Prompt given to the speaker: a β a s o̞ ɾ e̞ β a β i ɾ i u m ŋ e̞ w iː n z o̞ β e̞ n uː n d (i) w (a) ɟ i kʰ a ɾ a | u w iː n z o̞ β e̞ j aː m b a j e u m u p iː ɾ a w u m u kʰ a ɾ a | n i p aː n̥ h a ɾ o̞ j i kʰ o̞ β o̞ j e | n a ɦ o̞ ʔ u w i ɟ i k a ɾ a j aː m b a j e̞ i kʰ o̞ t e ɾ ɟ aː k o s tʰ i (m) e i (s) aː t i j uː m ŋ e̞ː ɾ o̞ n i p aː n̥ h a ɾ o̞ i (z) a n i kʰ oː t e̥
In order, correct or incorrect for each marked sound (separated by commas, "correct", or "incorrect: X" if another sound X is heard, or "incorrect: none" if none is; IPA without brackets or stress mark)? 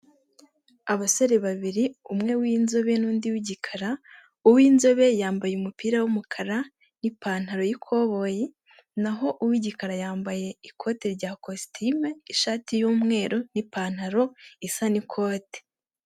correct, incorrect: i, correct, incorrect: ʃ, incorrect: s